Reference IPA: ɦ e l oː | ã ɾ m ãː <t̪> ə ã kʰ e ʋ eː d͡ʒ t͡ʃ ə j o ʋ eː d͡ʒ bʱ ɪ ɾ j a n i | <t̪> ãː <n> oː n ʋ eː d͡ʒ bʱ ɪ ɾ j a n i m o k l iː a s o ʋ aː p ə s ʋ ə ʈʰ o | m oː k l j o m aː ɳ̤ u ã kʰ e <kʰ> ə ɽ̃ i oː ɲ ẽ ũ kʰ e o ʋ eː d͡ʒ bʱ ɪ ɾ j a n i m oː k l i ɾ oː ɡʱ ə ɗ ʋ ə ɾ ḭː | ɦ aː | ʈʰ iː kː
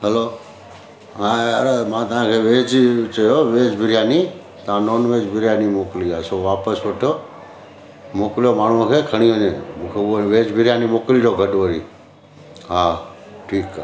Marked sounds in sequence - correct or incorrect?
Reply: correct, correct, correct, correct

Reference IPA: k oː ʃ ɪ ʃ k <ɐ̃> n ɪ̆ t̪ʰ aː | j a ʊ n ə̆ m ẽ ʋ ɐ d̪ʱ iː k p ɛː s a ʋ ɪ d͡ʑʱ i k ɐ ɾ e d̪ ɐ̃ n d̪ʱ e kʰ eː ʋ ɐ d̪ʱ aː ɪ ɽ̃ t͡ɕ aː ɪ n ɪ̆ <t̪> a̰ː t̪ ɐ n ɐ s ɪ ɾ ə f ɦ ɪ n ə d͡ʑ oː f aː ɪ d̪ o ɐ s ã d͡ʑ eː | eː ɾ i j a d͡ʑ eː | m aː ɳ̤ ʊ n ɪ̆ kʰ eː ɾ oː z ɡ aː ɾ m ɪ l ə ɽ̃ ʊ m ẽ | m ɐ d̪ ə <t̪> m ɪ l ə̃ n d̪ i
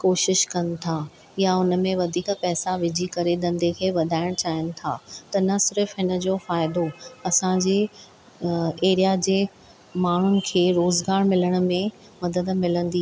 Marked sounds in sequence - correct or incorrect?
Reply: incorrect: ɐ, incorrect: t̪ʰ, incorrect: d̪

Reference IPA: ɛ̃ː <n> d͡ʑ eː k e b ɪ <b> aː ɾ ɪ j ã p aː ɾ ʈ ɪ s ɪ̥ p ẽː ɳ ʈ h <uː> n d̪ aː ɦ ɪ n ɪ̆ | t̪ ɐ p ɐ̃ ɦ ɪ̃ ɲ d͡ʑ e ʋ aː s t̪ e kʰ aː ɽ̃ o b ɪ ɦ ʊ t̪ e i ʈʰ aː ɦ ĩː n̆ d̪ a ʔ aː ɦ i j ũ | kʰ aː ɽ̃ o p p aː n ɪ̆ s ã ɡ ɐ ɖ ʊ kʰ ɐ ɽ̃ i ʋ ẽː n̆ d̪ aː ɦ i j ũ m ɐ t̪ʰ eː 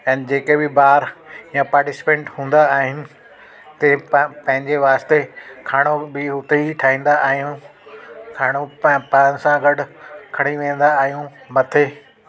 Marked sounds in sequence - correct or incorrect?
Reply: correct, correct, incorrect: ũː

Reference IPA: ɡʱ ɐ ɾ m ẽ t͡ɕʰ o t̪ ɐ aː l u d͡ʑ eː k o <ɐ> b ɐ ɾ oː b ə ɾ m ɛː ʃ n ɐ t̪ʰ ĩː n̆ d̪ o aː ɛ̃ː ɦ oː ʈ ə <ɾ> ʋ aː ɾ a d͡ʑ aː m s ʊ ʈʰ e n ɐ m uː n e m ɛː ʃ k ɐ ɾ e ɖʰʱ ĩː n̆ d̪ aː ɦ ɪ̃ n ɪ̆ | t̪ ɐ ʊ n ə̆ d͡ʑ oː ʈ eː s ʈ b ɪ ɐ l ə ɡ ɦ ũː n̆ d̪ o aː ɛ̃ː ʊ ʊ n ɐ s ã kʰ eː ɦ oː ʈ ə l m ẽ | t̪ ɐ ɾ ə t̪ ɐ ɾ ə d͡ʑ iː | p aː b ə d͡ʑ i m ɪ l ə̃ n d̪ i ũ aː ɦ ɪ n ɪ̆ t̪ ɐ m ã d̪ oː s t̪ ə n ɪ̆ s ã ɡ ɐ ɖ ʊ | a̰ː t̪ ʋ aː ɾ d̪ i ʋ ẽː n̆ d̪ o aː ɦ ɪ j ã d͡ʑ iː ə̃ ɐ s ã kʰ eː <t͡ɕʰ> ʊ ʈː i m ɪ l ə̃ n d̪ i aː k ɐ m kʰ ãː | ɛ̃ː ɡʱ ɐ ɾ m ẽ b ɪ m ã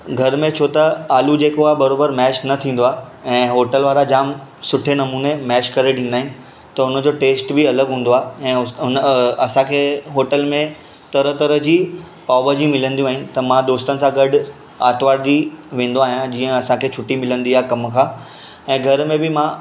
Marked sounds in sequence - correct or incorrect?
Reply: incorrect: a, incorrect: l, correct

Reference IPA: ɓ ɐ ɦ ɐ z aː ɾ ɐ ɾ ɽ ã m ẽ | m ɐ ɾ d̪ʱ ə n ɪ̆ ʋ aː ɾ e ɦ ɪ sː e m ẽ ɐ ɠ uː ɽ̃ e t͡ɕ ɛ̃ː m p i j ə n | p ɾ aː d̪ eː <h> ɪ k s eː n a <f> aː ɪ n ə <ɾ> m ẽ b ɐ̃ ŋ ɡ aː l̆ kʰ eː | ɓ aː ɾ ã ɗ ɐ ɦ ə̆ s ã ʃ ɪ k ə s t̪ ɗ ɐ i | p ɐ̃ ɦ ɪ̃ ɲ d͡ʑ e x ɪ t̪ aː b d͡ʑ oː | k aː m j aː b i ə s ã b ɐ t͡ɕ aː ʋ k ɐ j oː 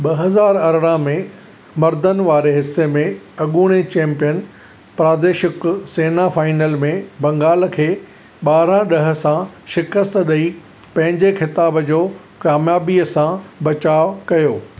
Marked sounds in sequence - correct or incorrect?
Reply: incorrect: ʃ, correct, incorrect: l

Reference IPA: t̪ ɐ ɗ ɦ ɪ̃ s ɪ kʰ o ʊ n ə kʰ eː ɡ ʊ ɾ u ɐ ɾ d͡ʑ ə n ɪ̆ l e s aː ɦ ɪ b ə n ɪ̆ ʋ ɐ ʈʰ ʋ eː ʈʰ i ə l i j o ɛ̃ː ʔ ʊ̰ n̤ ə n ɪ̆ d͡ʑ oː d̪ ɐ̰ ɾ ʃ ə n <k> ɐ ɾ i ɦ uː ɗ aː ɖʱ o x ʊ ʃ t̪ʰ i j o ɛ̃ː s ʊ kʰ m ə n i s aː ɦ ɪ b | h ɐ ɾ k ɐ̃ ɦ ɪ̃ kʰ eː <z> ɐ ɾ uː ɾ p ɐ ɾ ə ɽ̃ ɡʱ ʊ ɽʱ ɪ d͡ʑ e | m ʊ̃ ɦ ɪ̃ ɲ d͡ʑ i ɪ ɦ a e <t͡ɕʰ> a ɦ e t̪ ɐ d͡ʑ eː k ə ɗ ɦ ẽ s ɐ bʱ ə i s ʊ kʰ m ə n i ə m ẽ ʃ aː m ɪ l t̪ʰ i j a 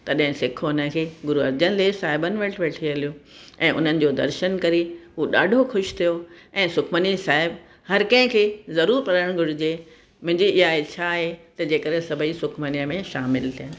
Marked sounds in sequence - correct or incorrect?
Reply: correct, correct, correct

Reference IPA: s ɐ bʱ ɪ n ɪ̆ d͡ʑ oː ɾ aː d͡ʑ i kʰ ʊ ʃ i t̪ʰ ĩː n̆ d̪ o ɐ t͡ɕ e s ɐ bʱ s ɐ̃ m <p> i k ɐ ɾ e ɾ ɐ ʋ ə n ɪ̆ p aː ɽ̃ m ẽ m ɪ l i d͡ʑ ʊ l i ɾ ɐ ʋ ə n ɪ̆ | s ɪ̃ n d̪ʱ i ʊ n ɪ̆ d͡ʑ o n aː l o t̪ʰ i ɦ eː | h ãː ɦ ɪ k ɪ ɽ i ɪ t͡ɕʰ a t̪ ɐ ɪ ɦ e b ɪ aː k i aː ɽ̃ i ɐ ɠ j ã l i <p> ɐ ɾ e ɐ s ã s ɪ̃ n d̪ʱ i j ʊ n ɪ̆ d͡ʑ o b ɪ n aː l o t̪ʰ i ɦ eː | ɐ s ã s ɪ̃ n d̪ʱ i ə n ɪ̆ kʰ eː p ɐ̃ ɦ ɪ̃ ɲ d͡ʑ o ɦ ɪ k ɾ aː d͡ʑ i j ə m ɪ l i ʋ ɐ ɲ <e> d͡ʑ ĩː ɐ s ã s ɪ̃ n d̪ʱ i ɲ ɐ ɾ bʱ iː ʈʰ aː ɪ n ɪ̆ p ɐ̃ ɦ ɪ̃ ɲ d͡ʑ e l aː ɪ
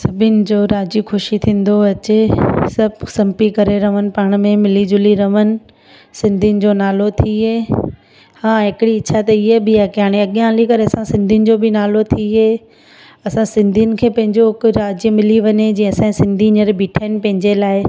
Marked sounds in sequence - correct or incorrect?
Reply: correct, incorrect: k, correct

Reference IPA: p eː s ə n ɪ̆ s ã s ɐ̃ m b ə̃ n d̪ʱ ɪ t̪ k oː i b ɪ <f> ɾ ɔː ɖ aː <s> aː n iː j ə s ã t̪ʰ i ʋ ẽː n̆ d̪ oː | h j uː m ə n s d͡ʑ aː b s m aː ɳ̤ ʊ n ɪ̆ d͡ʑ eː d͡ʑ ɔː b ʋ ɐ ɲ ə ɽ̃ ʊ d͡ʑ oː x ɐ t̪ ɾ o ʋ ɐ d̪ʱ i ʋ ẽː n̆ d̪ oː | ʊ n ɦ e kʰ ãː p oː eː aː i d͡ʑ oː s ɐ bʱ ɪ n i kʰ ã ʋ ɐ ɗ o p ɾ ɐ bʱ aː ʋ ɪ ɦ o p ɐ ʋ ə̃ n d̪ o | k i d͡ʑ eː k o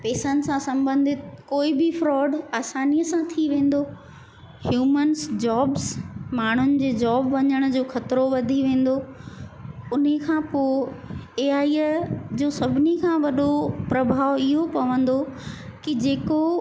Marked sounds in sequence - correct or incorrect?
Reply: correct, correct

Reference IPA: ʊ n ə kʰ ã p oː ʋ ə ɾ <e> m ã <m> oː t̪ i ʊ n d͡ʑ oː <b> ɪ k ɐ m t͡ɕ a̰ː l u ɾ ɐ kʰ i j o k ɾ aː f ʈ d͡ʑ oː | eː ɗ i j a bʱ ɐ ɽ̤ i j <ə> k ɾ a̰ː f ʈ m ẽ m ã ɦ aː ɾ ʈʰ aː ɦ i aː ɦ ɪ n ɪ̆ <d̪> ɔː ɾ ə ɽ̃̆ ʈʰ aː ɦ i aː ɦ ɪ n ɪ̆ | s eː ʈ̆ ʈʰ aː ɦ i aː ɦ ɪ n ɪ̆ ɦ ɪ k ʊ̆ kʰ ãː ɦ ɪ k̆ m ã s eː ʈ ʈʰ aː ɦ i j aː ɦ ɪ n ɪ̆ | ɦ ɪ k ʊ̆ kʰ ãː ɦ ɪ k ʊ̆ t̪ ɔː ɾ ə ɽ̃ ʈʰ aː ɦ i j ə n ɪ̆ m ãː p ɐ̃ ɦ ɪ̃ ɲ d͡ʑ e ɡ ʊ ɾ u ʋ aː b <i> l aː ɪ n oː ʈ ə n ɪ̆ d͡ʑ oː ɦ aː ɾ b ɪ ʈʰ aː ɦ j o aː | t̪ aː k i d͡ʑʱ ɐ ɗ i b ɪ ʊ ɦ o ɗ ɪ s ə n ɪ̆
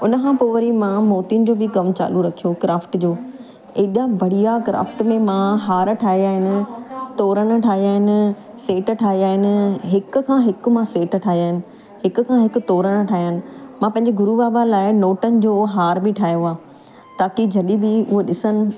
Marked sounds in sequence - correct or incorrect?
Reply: incorrect: i, correct, correct, incorrect: a, incorrect: t̪, incorrect: a

